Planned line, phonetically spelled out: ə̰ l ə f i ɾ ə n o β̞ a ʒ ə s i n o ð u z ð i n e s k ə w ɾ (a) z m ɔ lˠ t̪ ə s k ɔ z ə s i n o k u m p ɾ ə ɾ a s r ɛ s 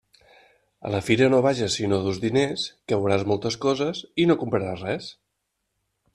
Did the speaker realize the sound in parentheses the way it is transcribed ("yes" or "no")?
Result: yes